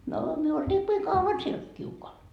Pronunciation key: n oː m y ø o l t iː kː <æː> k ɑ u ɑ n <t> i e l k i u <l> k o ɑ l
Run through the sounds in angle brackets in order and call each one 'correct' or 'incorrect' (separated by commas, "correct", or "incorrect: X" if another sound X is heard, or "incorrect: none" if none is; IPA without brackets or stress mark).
incorrect: iː, incorrect: s, incorrect: none